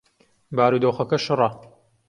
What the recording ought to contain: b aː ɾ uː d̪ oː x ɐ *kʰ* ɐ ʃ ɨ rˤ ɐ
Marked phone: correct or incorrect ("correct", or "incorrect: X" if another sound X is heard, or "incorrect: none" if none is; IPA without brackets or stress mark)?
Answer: incorrect: k